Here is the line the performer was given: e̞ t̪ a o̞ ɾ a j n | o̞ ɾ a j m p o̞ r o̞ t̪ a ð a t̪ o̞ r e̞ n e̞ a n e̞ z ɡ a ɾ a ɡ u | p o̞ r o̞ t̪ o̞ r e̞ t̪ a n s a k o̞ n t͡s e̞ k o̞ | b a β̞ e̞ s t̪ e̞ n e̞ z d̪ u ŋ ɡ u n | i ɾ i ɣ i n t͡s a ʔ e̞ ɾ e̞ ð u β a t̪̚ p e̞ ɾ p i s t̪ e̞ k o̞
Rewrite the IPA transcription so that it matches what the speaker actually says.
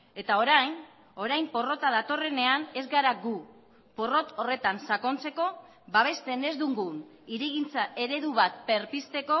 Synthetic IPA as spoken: e̞ t̪ a o̞ ɾ a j n | o̞ ɾ a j m p o̞ r o̞ t̪ a ð a t̪ o̞ r e̞ n e̞ a n e̞ z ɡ a ɾ a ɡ u | p o̞ r o̞ t̪ o̞ r e̞ t̪ a n s a k o̞ n t͡s e̞ k o̞ | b a β̞ e̞ s t̪ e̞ n e̞ z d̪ u ŋ ɡ u n | i ɾ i ɣ i n t͡s a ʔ e̞ ɾ e̞ ð u β a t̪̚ p e̞ ɾ p i s t̪ e̞ k o̞